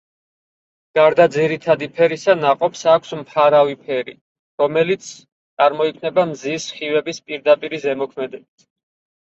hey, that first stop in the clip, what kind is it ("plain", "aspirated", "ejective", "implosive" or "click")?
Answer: plain